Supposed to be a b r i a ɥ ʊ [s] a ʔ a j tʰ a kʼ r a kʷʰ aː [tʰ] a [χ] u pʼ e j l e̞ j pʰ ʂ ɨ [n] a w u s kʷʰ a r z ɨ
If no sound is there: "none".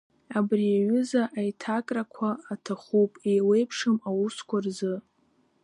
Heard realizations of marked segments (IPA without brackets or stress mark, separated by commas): z, tʰ, χ, m